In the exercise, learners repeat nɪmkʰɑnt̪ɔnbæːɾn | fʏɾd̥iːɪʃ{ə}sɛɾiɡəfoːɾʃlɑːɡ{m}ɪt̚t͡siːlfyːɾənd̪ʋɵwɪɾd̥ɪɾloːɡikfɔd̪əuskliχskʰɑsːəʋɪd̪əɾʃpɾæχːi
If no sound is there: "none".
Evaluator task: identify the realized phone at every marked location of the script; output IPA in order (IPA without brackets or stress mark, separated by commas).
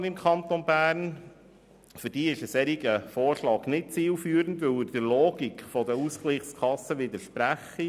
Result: ə, n